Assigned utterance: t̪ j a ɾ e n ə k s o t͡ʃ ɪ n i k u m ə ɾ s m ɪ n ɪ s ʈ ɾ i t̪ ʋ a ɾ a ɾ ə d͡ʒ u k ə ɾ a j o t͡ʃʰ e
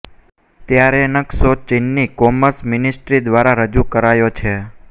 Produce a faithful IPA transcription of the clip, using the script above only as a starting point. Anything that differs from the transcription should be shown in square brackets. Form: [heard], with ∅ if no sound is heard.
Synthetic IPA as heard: t̪ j a ɾ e n ə k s o t͡ʃ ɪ [nː] i k [ɔ] m ə ɾ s m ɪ n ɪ s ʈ ɾ i [d̪] ʋ a ɾ a ɾ ə d͡ʒ u k ə ɾ a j o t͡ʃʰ e

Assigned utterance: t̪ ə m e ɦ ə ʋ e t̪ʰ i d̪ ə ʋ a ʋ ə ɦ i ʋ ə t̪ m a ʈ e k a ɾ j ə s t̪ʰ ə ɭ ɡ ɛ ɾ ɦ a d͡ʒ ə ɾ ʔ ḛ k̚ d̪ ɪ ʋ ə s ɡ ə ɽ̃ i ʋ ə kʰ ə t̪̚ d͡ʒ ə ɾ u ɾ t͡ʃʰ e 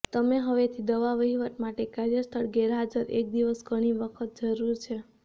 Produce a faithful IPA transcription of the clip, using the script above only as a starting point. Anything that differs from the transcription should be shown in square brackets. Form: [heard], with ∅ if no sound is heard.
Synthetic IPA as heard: t̪ ə m e ɦ ə ʋ e t̪ʰ i d̪ ə ʋ a ʋ ə ɦ i ʋ ə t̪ m a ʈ e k a ɾ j ə s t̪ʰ ə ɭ ɡ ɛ ɾ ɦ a d͡ʒ ə ɾ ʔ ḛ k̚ d̪ [i] ʋ ə s ɡ ə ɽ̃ i ʋ ə kʰ ə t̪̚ d͡ʒ ə ɾ u ɾ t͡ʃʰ e

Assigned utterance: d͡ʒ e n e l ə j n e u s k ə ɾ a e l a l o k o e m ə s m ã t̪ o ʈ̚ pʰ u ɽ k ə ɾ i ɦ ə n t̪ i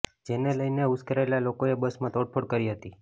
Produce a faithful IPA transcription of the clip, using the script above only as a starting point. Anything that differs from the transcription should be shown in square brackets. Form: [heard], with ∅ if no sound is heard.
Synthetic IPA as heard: d͡ʒ e n e l ə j n e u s k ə ɾ a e l a l o k o e [b] ə s m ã t̪ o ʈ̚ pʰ [o] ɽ k ə ɾ i ɦ ə [∅] t̪ i

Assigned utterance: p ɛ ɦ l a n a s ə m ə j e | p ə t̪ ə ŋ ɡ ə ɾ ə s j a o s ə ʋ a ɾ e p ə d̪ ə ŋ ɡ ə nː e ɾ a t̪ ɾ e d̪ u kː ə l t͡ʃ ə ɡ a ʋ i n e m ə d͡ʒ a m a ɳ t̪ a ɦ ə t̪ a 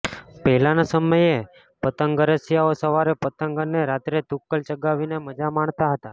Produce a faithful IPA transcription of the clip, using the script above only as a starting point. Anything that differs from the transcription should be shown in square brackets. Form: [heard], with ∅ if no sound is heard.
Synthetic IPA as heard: p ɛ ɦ l a n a s ə m ə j e | p ə t̪ ə ŋ ɡ ə ɾ ə s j a o s ə ʋ a ɾ e p ə [t̪] ə ŋ ɡ ə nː e ɾ a t̪ ɾ e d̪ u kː ə l t͡ʃ ə ɡ a ʋ i n e m ə d͡ʒ a m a ɳ t̪ a ɦ ə t̪ a

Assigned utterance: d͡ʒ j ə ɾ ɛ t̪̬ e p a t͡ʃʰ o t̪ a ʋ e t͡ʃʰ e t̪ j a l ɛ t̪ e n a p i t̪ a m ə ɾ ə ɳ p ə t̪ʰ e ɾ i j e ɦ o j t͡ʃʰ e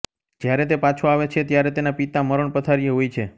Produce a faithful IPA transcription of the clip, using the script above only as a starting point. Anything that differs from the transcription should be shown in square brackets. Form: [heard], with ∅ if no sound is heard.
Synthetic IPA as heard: d͡ʒ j [a] ɾ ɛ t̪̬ e p a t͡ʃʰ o [∅] a ʋ e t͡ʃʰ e t̪ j a [ɾ] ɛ t̪ e n a p i t̪ a m ə ɾ ə ɳ p ə t̪ʰ [a] ɾ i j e ɦ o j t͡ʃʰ e

